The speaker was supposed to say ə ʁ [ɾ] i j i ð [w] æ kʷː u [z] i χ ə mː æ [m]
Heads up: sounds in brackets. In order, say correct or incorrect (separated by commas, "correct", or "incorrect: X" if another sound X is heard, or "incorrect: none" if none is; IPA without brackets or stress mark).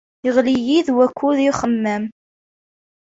incorrect: l, correct, incorrect: ð, correct